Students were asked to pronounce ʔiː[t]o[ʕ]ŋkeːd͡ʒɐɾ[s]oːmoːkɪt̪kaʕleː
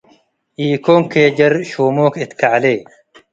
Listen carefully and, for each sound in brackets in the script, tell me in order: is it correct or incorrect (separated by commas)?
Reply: incorrect, incorrect, incorrect